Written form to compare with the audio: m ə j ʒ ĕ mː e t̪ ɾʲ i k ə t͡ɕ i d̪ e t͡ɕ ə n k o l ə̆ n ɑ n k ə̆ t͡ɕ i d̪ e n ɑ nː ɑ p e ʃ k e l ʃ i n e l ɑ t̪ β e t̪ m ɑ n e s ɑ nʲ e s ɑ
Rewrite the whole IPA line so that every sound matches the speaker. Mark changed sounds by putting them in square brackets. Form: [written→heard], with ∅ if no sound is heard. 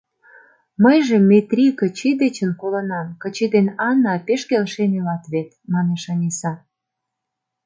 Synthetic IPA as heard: m ə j ʒ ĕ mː e t̪ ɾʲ i k ə t͡ɕ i d̪ e t͡ɕ ə n k o l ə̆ n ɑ [n→m] k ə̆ t͡ɕ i d̪ e n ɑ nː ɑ p e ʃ k e l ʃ [i→e] n e l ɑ t̪ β e t̪ m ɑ n e [s→ʃ] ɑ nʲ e s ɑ